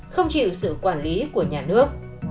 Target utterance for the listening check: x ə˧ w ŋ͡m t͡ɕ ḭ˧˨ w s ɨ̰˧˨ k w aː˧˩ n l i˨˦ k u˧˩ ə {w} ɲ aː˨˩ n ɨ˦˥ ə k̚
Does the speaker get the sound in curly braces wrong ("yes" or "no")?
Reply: yes